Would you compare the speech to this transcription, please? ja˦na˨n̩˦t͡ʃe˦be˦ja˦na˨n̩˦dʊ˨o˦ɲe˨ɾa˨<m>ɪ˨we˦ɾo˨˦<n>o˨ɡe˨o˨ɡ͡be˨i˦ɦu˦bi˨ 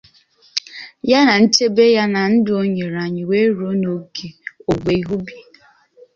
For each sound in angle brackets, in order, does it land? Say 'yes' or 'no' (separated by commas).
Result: no, yes